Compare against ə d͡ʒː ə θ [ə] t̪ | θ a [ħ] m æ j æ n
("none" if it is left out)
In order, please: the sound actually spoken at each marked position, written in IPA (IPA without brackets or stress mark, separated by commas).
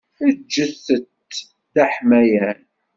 ə, ħ